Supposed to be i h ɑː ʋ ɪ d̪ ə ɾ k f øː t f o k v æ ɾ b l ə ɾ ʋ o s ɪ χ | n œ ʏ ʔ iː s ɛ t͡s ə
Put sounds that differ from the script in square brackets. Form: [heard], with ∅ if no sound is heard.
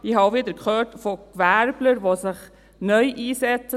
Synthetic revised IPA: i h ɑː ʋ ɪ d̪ ə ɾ k [χ] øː t f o k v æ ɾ b l ə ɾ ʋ o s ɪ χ | n œ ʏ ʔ iː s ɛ t͡s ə